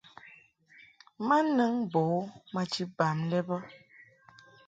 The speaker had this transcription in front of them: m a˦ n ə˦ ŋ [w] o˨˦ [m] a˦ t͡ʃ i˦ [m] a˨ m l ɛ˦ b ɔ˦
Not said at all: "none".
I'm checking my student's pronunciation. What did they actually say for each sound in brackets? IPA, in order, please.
b, m, b

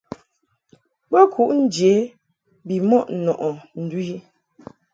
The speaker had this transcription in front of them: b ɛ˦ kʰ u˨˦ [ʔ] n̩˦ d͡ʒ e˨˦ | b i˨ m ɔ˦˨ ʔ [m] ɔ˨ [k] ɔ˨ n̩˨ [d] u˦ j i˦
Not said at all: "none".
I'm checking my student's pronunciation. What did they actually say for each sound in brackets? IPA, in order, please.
ʔ, n, ʔ, d

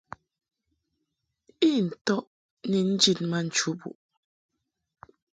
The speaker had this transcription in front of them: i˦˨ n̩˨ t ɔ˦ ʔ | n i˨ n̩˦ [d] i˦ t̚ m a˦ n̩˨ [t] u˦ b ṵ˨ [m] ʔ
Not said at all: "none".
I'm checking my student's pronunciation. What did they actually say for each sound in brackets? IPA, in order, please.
d͡ʒ, t͡ʃ, none

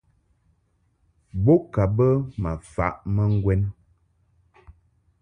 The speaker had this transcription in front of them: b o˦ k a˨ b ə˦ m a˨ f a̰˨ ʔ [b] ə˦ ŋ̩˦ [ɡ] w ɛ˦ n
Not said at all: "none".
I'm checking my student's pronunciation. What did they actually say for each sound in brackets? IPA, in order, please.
m, ɡ

